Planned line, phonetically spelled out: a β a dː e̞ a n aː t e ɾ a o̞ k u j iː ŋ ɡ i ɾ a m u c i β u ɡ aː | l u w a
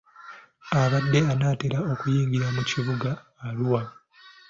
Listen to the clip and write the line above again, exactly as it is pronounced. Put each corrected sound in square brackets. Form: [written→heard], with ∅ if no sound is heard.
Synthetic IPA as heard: a β a dː e̞ a n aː t e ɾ a o̞ k u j iː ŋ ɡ i ɾ a m u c i β u ɡ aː | l u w a